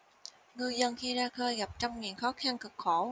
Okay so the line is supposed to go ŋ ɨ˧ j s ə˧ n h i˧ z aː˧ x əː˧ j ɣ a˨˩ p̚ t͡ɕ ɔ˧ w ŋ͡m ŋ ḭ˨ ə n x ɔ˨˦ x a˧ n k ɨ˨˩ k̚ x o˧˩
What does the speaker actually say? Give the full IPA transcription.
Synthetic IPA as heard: ŋ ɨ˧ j z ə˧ n x i˧ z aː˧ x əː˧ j ɣ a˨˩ p̚ t͡ɕ ɔ˧ w ŋ͡m ŋ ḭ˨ ə n x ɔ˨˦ x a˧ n k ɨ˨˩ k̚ x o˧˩